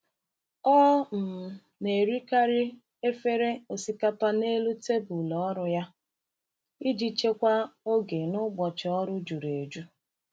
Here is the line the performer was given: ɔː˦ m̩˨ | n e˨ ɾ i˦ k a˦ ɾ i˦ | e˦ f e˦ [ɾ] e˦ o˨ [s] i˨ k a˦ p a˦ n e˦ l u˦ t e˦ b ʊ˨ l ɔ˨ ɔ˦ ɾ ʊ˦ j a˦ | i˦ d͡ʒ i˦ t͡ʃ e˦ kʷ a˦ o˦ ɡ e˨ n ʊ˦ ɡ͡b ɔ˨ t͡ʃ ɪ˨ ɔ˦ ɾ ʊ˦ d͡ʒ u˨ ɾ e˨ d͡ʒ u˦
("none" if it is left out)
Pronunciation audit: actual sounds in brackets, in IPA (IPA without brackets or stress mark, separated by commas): ɾ, s